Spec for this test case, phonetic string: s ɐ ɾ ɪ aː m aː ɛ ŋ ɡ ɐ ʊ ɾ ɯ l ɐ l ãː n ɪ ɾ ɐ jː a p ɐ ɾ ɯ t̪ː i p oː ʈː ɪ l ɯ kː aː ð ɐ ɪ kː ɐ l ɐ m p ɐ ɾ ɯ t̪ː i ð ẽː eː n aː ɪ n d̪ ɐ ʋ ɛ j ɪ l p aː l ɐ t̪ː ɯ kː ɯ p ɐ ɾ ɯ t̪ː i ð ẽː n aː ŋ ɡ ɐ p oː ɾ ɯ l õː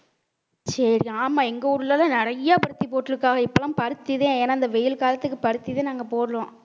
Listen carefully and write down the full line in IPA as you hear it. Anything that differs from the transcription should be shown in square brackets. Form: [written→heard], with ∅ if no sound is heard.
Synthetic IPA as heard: s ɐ ɾ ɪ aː m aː ɛ ŋ ɡ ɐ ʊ ɾ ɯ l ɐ l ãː n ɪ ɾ ɐ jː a p ɐ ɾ ɯ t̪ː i p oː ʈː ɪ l ɯ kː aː [ð→ɣ] ɐ ɪ [kː→pː] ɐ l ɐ m p ɐ ɾ ɯ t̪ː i ð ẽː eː n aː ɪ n d̪ ɐ ʋ ɛ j ɪ l [p→k] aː l ɐ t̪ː ɯ kː ɯ p ɐ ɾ ɯ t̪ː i ð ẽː n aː ŋ ɡ ɐ p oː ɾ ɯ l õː

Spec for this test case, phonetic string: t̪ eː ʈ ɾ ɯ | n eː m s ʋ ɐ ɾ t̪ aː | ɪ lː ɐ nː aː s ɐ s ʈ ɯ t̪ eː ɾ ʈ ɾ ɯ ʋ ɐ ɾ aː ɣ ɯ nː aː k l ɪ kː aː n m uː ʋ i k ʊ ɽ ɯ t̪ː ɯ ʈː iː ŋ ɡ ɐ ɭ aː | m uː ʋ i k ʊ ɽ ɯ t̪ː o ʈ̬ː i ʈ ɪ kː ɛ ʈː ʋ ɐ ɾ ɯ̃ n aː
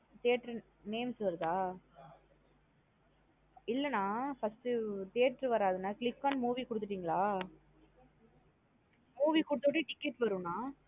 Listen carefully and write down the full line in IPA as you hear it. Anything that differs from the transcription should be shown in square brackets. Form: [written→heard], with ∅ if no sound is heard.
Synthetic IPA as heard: t̪ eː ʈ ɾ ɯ | n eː m s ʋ ɐ ɾ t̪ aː | ɪ lː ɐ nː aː [s→f] ɐ s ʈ ɯ t̪ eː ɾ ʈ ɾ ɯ ʋ ɐ ɾ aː [ɣ→ð] ɯ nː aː k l ɪ kː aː n m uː ʋ i k ʊ ɽ ɯ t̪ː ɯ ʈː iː ŋ ɡ ɐ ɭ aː | m uː ʋ i k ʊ ɽ ɯ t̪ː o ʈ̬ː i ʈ ɪ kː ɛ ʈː ʋ ɐ ɾ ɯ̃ n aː

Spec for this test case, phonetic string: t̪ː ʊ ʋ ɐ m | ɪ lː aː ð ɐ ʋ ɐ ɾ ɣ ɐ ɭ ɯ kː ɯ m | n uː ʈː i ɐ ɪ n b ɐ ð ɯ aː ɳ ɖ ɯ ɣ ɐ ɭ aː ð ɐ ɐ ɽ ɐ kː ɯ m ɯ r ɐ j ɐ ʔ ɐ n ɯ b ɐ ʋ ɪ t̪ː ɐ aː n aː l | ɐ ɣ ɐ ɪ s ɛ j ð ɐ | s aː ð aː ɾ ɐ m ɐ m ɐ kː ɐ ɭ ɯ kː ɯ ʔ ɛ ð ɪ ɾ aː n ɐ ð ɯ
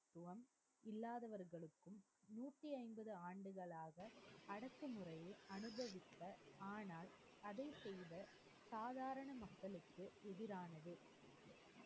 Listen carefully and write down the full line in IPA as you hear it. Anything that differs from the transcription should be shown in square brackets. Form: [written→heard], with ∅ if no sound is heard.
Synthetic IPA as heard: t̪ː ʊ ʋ ɐ m | ɪ lː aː ð ɐ ʋ ɐ ɾ ɣ ɐ ɭ ɯ kː ɯ m | n uː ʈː i ɐ ɪ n b ɐ ð ɯ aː ɳ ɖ ɯ ɣ ɐ ɭ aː [ð→ɣ] ɐ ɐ ɽ ɐ kː ɯ m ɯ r ɐ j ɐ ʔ ɐ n ɯ b ɐ ʋ ɪ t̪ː ɐ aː n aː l | ɐ [ɣ→ð] ɐ ɪ s ɛ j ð ɐ | s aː ð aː ɾ ɐ [m→ɳ] ɐ m ɐ kː ɐ ɭ ɯ kː ɯ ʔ ɛ ð ɪ ɾ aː n ɐ ð ɯ

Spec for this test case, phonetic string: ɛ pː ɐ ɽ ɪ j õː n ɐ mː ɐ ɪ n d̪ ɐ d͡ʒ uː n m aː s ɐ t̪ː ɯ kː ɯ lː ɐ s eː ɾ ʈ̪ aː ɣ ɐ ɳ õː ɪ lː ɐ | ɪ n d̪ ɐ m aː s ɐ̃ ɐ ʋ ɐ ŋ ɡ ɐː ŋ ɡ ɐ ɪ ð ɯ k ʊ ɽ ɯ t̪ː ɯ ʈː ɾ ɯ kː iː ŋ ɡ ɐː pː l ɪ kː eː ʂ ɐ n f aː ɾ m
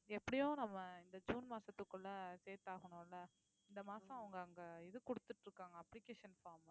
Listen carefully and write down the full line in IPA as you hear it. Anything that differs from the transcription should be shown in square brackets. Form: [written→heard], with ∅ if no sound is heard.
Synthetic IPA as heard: ɛ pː ɐ ɽ ɪ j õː n ɐ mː ɐ ɪ n d̪ ɐ d͡ʒ uː n m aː s ɐ t̪ː ɯ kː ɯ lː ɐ s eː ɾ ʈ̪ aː ɣ ɐ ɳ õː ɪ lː ɐ | ɪ n d̪ ɐ m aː s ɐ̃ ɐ ʋ ɐ ŋ ɡ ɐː ŋ ɡ ɐ ɪ ð ɯ k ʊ ɽ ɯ t̪ː ɯ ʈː ɾ ɯ kː [iː→aː] ŋ ɡ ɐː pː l ɪ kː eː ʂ ɐ n f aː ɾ m

